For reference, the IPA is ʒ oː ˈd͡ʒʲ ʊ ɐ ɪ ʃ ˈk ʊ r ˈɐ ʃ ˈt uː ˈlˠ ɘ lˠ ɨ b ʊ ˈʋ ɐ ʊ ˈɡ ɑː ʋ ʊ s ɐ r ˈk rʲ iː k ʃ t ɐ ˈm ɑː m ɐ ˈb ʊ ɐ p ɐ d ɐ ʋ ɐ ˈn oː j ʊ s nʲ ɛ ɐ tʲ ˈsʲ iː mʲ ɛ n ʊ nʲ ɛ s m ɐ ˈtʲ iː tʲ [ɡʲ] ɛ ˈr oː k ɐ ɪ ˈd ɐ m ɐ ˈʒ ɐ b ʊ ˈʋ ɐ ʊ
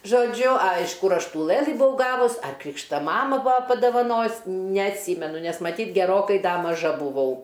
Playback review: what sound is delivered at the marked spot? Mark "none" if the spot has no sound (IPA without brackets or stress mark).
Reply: ɡʲ